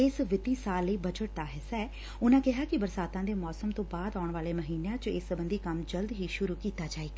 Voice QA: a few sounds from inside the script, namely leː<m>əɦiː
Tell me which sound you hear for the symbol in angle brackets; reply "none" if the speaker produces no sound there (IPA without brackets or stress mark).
m